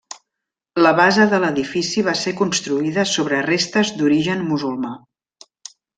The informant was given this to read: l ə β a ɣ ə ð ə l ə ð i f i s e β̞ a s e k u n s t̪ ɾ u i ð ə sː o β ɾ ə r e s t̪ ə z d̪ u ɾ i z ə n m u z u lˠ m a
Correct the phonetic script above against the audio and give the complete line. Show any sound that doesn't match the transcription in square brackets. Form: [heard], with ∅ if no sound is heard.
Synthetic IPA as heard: l ə β a [z] ə ð ə l ə ð i f i s [i] β̞ a s e k u n s t̪ ɾ u i ð ə [s] o β ɾ ə r e s t̪ ə z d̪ u ɾ i [ʒ] ə n m u z u lˠ m a